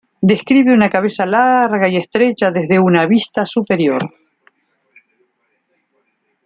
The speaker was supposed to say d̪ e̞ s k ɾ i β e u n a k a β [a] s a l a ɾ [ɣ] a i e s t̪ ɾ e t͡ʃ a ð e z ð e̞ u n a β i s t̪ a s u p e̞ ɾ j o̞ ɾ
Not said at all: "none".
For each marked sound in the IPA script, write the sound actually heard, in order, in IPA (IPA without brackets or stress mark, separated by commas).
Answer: e, ɣ